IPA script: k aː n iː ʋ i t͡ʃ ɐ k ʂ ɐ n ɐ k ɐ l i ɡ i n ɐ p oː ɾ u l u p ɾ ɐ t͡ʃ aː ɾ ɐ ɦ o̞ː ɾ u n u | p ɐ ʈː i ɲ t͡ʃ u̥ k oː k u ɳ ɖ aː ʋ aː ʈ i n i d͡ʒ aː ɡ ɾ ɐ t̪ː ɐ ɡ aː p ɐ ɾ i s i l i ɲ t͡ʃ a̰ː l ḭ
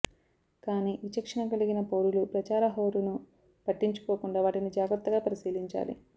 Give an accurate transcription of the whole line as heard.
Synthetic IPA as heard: k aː n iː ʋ i t͡ʃ ɐ k ʂ ɐ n ɐ k ɐ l i ɡ i n ɐ p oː ɾ u l u p ɾ ɐ t͡ʃ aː ɾ ɐ ɦ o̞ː ɾ u n u | p ɐ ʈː i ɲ t͡ʃ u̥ k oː k u ɳ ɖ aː ʋ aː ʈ i n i d͡ʒ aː ɡ ɾ ɐ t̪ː ɐ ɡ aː p ɐ ɾ i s iː l i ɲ t͡ʃ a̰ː l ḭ

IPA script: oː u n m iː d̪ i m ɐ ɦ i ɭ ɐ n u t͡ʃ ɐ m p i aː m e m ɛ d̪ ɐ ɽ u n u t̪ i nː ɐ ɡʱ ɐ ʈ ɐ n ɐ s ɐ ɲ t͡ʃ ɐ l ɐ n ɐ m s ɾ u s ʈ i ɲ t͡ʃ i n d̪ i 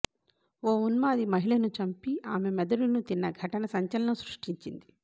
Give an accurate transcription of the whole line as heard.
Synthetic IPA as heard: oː u n m aː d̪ i m ɐ ɦ i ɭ ɐ n u t͡ʃ ɐ m p i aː m e m ɛ d̪ ɐ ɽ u n u t̪ i nː ɐ ɡʱ ɐ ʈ ɐ n ɐ s ɐ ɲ t͡ʃ ɐ l ɐ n ɐ m s ɾ u ʂ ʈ i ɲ t͡ʃ i n d̪ i

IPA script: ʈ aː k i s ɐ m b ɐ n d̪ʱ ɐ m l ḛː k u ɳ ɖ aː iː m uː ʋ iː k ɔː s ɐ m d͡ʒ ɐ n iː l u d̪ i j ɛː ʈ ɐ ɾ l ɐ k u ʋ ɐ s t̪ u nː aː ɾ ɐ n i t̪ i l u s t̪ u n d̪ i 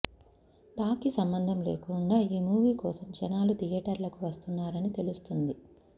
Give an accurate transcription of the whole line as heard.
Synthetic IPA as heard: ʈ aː k i s ɐ m b ɐ n d̪ʱ ɐ m l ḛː k u ɳ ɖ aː iː m uː ʋ iː k ɔː s ɐ m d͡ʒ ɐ n aː l u t̪ i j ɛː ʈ ɐ ɾ l ɐ k u ʋ ɐ s t̪ u nː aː ɾ ɐ n i t̪ e l u s t̪ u n d̪ i

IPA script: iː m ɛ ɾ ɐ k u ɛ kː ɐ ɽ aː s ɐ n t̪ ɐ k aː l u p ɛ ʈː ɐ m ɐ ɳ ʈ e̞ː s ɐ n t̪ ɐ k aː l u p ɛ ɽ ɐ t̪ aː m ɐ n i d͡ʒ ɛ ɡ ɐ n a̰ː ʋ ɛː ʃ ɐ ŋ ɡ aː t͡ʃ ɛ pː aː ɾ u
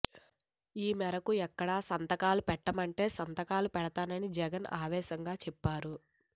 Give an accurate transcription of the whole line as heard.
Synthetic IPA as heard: iː m ɛ ɾ ɐ k u ɛ kː ɐ ɽ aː s ɐ n t̪ ɐ k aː l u p ɛ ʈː ɐ m ɐ ɳ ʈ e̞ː s ɐ n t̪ ɐ k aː l u p ɛ ɽ ɐ t̪ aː n ɐ n i d͡ʒ ɛ ɡ ɐ n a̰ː ʋ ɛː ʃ ɐ ŋ ɡ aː t͡ʃ ɛ pː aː ɾ u

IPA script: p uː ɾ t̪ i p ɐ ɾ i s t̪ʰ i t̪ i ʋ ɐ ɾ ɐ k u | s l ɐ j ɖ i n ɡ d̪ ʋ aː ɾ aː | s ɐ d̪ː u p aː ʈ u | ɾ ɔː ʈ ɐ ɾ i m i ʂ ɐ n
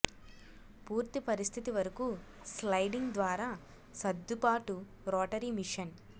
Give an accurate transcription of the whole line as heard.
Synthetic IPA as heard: p uː ɾ t̪ i p ɐ ɾ i s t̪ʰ i t̪ i ʋ ɐ ɾ ɐ k u | s l ɐ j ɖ i ŋ ɡ d̪ ʋ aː ɾ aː | s ɐ d̪ː u p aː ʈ u | ɾ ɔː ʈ ɐ ɾ i m i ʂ ɐ n

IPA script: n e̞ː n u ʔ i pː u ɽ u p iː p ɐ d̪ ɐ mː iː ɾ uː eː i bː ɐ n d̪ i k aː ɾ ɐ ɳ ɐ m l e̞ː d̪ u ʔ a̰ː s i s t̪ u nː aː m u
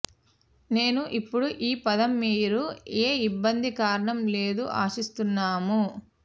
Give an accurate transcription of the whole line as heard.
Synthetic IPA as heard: n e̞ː n u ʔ i pː u ɽ u ʔ iː p ɐ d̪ ɐ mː iː ɾ u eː i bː ɐ n d̪ i k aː ɾ ɐ ɳ ɐ m l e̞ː d̪ u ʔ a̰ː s i s t̪ u nː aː m u

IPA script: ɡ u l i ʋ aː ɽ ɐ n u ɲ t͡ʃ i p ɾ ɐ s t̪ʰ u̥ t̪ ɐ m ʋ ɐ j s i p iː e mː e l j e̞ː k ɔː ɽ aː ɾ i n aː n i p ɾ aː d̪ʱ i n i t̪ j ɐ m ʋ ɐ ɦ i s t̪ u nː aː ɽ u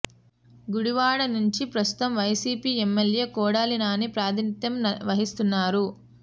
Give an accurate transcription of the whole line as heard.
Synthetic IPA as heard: ɡ u ɽ i ʋ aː ɽ ɐ n u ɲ t͡ʃ i p ɾ ɐ s t̪ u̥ t̪ ɐ m ʋ ɐ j s iː p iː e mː e l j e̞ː k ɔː ɽ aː l i n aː n i p ɾ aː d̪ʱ i n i t̪ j ɐ m ʋ ɐ ɦ i s t̪ u nː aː ɾ u

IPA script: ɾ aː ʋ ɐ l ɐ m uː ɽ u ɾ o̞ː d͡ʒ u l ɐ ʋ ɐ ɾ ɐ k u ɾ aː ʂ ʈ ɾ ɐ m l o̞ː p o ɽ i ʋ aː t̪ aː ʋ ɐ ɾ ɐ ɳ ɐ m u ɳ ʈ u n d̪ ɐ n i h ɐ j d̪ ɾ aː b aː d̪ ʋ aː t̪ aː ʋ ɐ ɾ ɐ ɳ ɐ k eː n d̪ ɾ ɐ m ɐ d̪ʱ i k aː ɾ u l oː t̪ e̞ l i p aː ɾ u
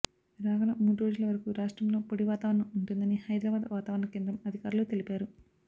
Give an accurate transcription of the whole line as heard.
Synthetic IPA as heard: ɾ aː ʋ ɐ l ɐ m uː ɽ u ɾ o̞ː d͡ʒ u l ɐ ʋ ɐ ɾ ɐ k u ɾ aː ʂ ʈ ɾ ɐ m l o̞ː p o ɽ i ʋ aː t̪ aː ʋ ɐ ɾ ɐ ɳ ɐ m u ɳ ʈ u n d̪ ɐ n i h ɐ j d̪ ɾ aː b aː d̪ ʋ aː t̪ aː ʋ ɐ ɾ ɐ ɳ ɐ k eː n d̪ ɾ ɐ m ɐ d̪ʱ i k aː ɾ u l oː t̪ e̞ l i p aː ɾ u

